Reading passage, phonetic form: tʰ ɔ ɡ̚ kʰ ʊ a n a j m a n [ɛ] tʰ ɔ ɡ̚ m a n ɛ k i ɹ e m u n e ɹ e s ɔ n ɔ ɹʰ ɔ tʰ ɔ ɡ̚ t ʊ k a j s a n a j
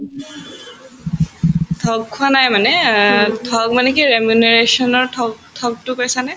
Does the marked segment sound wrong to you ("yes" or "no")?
no